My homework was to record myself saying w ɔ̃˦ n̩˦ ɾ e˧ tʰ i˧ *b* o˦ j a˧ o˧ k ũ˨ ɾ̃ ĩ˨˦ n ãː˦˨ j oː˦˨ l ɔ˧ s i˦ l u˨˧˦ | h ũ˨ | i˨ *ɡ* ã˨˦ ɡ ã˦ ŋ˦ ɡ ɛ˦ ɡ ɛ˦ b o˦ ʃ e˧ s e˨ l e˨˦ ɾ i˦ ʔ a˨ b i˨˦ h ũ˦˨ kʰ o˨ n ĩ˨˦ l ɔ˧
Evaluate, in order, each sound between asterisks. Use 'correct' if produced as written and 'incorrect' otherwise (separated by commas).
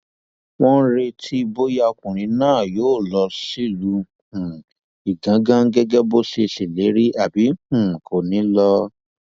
correct, correct